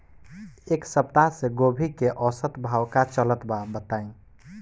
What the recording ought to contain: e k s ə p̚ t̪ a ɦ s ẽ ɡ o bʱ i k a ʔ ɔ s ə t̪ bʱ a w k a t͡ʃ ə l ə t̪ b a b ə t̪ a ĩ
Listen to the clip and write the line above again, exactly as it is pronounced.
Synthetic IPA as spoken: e k s ə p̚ t̪ a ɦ s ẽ ɡ o bʱ i k e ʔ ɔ s ə t̪ bʱ a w k a t͡ʃ ə l ə t̪ b a b ə t̪ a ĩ